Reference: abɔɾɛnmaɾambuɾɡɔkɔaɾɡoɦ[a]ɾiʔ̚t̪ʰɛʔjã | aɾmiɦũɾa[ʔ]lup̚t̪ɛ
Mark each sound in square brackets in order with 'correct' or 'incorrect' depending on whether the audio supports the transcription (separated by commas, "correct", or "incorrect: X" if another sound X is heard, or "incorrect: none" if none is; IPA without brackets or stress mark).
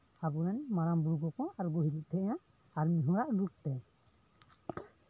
incorrect: i, correct